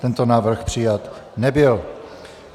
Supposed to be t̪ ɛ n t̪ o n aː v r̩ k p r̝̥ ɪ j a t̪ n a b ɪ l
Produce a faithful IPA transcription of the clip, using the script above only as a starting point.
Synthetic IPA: t̪ ɛ n t̪ o n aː v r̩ x p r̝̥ ɪ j a t̪ n ɛ b ɪ l